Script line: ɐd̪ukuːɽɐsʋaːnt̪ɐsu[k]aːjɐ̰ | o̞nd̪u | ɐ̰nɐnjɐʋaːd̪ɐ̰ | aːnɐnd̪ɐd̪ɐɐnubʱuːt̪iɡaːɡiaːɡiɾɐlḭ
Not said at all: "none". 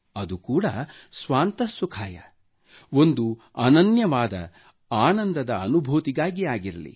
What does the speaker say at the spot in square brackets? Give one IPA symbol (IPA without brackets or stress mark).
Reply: kʰ